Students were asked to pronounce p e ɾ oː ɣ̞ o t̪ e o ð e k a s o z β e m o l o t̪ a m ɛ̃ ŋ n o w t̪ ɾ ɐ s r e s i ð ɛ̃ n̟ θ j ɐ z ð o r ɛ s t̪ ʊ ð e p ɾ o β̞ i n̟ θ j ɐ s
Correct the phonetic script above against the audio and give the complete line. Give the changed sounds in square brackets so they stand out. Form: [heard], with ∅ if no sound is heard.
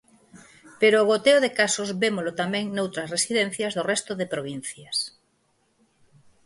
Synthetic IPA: p e ɾ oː ɣ̞ o t̪ e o ð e k a s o z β e m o l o t̪ a m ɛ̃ ŋ n o w t̪ ɾ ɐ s r e s i ð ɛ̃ n̟ θ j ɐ z ð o r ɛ s t̪ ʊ ð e p ɾ o β̞ i n̟ θ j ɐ s